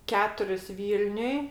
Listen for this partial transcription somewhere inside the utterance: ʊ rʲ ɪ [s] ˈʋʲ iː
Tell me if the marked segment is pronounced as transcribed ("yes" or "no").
yes